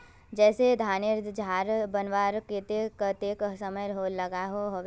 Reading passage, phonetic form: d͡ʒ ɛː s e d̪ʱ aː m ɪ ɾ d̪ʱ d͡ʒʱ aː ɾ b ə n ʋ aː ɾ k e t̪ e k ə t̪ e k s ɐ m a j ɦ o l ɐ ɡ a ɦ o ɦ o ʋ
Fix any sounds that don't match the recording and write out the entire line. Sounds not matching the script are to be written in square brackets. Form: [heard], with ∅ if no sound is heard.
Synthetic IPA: d͡ʒ ɛː s e d̪ʱ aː [n] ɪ ɾ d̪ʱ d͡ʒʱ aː ɾ b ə n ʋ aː ɾ k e t̪ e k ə t̪ e k s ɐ m [ə] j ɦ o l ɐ ɡ a ɦ o ɦ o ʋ